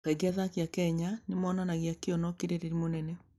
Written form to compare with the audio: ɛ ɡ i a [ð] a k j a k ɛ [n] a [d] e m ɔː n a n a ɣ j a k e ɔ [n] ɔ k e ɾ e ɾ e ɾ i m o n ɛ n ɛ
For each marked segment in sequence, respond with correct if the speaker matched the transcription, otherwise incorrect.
correct, incorrect, incorrect, correct

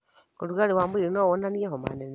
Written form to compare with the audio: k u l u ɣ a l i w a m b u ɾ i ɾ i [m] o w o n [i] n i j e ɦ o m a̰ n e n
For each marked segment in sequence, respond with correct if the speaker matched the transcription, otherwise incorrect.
incorrect, incorrect

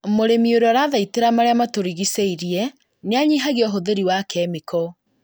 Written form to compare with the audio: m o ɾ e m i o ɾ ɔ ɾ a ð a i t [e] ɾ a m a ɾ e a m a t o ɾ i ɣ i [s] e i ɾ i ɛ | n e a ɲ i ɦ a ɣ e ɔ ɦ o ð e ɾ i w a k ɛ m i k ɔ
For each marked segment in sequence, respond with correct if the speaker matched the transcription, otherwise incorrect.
correct, correct

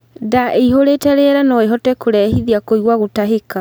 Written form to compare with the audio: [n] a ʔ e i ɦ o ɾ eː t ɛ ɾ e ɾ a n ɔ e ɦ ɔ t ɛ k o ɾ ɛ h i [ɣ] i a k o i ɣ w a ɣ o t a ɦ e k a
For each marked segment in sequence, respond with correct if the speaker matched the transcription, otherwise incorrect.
incorrect, incorrect

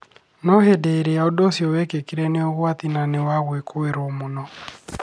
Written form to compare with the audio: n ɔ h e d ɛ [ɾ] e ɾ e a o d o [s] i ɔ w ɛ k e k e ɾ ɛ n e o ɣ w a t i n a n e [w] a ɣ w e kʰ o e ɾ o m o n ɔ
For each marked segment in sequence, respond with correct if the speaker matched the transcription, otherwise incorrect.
incorrect, correct, correct

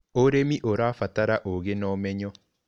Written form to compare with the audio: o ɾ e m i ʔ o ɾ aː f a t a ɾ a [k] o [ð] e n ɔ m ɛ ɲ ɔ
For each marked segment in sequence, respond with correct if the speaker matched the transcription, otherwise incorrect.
incorrect, incorrect

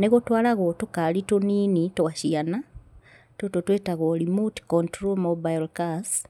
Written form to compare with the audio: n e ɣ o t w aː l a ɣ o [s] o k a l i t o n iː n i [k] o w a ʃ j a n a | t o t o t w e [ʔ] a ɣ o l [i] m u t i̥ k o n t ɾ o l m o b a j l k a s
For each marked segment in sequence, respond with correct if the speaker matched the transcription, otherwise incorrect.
incorrect, incorrect, incorrect, correct

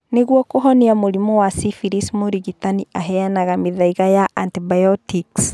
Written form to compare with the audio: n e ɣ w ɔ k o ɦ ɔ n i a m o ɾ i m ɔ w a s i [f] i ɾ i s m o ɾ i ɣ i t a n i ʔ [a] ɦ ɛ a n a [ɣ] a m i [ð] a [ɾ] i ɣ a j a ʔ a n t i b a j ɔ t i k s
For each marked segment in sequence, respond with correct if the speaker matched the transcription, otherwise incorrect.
correct, correct, correct, correct, incorrect

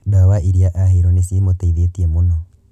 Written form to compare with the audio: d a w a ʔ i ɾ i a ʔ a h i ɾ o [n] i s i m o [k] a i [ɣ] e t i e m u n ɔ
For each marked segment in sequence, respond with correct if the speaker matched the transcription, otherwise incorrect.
correct, incorrect, incorrect

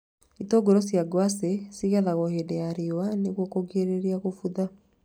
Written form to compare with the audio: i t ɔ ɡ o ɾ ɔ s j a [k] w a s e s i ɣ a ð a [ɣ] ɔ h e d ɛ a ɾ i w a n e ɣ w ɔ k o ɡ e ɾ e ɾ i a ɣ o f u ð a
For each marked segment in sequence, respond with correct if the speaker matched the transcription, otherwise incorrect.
incorrect, correct

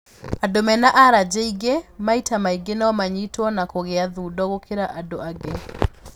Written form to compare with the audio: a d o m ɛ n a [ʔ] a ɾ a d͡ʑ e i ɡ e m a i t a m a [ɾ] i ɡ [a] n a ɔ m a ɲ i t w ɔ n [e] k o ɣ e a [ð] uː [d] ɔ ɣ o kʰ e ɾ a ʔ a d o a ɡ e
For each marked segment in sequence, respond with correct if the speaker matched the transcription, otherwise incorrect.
correct, incorrect, incorrect, incorrect, correct, correct

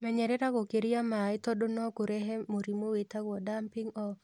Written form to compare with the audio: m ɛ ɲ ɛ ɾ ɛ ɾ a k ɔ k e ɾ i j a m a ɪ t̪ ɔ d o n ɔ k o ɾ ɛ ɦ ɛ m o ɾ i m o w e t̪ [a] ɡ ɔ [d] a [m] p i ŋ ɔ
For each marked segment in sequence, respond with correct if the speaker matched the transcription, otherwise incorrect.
correct, correct, correct

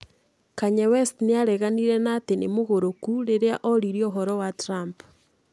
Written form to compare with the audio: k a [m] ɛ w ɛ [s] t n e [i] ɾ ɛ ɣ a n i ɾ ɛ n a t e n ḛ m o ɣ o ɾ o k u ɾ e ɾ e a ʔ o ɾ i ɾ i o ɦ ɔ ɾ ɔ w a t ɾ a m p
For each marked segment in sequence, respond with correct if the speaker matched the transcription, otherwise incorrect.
incorrect, correct, incorrect

